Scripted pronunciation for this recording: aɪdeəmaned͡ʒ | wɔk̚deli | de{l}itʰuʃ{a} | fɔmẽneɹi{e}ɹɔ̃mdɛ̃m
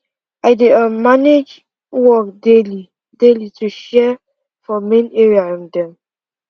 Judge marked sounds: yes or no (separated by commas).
yes, no, no